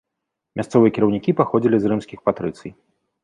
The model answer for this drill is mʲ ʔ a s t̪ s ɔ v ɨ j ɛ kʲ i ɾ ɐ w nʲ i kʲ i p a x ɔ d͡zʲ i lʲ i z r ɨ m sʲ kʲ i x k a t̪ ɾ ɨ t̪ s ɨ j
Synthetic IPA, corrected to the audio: mʲ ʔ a s t̪ s ɔ v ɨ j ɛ kʲ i ɾ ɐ w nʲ i kʲ i p a x ɔ d͡zʲ i lʲ i z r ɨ m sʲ kʲ i x p a t̪ ɾ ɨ t̪ s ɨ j